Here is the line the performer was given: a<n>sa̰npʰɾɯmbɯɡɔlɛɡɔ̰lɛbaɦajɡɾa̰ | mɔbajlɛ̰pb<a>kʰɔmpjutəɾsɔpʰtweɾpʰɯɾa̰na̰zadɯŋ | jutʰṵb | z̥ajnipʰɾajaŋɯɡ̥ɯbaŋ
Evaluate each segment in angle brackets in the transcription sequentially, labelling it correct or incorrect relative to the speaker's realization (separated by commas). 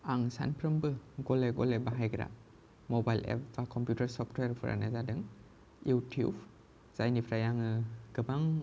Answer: incorrect, correct